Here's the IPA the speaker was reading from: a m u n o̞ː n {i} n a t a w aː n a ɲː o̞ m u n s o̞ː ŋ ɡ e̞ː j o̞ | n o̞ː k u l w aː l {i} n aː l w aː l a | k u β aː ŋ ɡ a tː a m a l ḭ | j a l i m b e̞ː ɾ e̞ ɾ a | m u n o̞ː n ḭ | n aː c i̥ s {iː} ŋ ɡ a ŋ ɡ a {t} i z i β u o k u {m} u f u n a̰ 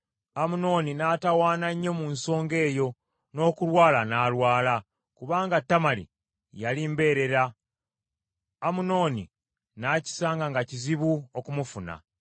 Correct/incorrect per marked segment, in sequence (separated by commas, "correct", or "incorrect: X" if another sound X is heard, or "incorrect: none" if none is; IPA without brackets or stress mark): correct, incorrect: a, incorrect: aː, incorrect: c, correct